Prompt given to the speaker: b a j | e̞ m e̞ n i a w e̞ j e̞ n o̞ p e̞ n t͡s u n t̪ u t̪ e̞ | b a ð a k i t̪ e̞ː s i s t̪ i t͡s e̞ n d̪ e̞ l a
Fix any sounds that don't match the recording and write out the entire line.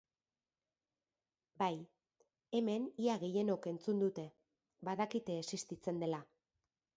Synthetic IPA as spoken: b a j | e̞ m e̞ n i a ɣ e̞ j e̞ n o̞ k e̞ n t͡s u n d̪ u t̪ e̞ | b a ð a k i t̪ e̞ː s i s t̪ i t͡s e̞ n d̪ e̞ l a